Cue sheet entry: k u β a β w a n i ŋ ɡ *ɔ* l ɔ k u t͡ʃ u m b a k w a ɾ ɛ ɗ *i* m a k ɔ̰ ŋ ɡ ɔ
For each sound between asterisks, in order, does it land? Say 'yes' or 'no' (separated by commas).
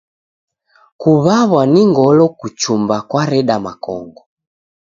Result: yes, no